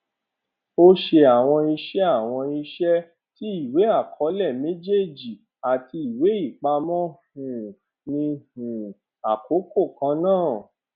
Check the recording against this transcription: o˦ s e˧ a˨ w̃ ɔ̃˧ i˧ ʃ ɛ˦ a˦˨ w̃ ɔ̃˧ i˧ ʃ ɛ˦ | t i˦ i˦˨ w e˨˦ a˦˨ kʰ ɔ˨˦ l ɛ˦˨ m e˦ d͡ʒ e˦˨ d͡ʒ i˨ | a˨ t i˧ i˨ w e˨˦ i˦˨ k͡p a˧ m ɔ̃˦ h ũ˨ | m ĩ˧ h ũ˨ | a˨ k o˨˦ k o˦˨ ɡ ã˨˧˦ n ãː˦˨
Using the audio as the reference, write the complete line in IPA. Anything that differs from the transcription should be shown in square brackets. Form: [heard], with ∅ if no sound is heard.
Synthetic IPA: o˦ [ʃ] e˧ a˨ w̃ ɔ̃˧ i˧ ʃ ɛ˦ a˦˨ w̃ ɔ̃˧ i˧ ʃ ɛ˦ | t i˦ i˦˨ w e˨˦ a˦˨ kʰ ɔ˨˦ l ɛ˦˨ m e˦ d͡ʒ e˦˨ d͡ʒ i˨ | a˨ t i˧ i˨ w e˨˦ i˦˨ k͡p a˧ m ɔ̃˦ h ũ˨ | [n] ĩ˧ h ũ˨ | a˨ k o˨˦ k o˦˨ [k] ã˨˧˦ n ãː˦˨